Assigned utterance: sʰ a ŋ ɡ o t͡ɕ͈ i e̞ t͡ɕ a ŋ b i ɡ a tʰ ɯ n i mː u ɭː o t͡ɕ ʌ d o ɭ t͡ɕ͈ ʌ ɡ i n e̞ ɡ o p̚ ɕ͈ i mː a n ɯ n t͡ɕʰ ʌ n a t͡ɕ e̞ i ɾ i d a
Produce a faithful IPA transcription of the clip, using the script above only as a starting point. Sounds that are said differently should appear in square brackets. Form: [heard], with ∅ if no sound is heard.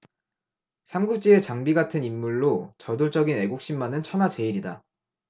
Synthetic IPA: sʰ a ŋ ɡ [u] t͡ɕ͈ i e̞ t͡ɕ a ŋ b i ɡ a tʰ ɯ n i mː u ɭː o t͡ɕ ʌ d o ɭ t͡ɕ͈ ʌ ɡ i n e̞ ɡ o [k̚] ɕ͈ i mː a n ɯ n t͡ɕʰ ʌ n a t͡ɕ e̞ i ɾ i d a